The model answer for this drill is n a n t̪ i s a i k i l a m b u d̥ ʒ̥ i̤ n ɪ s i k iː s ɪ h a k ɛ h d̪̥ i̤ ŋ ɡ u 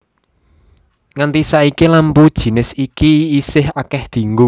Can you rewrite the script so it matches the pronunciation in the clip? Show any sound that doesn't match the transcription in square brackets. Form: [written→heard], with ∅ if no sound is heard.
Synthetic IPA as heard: [n→ŋ] a n t̪ i s a i k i l a m [b→p] u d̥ ʒ̥ i̤ n ɪ s i k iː s ɪ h a k ɛ h d̪̥ i̤ ŋ ɡ u